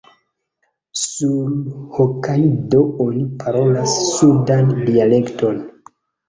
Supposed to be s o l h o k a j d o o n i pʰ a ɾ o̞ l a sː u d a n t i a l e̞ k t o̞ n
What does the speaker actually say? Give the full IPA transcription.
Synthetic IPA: s u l h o k a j d o o n i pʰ a ɾ o̞ l a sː u d a n d i a l e̞ k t o̞ n